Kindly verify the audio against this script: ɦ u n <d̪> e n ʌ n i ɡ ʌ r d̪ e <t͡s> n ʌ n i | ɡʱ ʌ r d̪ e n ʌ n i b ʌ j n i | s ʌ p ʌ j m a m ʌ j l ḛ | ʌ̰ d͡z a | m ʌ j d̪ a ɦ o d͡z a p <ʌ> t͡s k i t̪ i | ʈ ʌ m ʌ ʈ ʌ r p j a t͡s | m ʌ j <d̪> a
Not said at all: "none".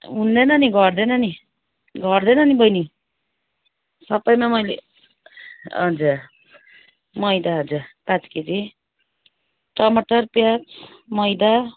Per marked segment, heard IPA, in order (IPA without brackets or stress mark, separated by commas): d̪, none, a, d̪